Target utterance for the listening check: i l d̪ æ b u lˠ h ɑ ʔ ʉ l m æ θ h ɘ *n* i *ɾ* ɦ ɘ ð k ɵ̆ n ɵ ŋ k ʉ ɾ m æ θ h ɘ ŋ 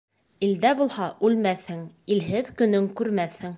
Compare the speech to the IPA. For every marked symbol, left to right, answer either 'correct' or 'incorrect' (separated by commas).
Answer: incorrect, incorrect